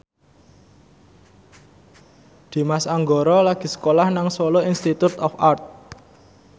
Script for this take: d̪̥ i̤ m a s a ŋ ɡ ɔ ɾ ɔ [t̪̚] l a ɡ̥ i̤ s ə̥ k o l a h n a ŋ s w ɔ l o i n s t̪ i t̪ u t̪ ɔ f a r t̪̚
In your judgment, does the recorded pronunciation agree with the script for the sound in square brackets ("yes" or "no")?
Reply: no